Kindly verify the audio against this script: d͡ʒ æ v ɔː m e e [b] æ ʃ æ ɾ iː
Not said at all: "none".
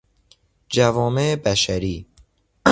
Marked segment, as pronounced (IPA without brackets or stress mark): b